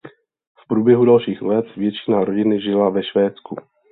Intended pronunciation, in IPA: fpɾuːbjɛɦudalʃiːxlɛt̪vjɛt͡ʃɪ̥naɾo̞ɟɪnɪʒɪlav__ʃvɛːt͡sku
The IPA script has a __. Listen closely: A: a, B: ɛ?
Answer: B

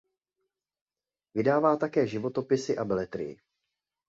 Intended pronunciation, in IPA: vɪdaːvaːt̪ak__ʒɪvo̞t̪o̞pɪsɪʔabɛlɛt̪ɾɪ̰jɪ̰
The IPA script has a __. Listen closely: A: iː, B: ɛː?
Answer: B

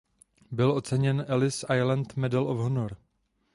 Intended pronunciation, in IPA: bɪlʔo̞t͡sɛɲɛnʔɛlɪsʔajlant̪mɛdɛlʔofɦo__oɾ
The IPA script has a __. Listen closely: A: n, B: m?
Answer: A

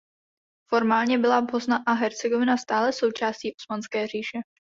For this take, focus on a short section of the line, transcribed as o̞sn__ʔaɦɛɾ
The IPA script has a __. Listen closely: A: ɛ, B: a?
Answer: B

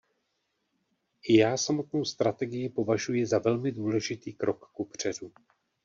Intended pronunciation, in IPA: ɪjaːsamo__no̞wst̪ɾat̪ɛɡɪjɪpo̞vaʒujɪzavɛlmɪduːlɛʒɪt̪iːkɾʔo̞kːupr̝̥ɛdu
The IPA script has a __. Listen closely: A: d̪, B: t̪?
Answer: B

